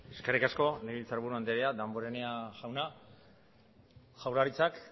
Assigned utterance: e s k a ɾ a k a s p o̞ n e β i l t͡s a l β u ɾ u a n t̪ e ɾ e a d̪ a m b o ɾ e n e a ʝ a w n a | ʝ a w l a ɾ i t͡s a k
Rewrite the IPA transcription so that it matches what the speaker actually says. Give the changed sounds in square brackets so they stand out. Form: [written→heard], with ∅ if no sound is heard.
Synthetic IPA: e s k a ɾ [a→i] k a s [p→k] o̞ n e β i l t͡s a [l→ɾ] β u ɾ u a n [t̪→d̪] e ɾ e a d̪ a m b o ɾ e n e a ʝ a w n a | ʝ a w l a ɾ i t͡s a k